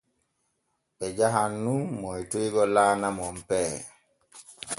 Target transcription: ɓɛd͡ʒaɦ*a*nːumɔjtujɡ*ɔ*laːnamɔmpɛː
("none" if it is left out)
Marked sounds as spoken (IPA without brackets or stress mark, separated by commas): a, ɔ